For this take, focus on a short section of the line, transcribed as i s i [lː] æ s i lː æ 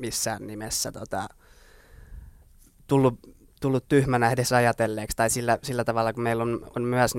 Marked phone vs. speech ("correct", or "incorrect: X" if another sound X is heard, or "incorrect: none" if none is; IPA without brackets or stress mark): correct